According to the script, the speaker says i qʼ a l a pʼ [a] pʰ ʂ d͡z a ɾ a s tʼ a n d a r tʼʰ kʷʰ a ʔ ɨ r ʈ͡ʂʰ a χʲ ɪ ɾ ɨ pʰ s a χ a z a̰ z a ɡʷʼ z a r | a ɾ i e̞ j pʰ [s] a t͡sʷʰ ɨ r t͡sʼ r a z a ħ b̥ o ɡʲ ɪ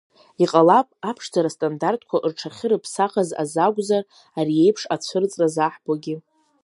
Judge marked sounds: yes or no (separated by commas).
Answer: yes, no